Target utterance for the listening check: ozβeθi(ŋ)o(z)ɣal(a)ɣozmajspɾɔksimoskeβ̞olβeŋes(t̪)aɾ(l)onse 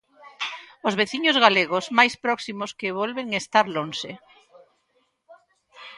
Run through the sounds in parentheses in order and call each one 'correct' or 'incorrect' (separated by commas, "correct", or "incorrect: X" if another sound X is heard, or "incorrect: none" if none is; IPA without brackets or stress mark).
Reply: incorrect: ɲ, correct, incorrect: e, correct, correct